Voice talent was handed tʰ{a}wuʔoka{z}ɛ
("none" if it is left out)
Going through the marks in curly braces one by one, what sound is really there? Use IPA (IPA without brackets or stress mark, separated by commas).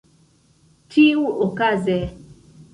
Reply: i, z